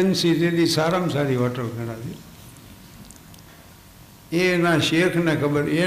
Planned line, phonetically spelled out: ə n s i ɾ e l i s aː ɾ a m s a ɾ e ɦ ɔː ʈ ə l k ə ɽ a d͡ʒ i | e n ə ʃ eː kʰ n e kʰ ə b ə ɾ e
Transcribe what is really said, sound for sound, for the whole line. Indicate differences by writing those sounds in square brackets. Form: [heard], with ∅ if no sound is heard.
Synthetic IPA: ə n s i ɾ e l i s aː ɾ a m s a ɾ [i] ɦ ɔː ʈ ə l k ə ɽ a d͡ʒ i | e n [a] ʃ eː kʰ n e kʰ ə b ə ɾ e